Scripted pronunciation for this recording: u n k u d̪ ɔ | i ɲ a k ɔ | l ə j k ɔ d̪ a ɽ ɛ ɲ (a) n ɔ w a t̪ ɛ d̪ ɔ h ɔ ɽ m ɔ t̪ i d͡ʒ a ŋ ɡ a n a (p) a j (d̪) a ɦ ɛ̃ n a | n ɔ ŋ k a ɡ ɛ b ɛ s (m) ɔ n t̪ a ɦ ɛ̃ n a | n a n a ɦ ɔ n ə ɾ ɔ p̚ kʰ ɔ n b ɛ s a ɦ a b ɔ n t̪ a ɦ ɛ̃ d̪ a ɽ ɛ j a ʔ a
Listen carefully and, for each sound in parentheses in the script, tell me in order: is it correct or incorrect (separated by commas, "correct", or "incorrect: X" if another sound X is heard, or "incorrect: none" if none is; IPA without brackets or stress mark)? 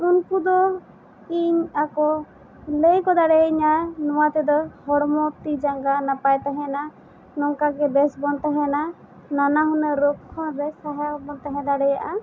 correct, correct, incorrect: t̪, incorrect: b